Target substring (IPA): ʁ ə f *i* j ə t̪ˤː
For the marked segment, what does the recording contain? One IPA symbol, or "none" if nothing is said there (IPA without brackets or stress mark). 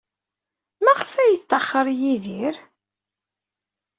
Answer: æ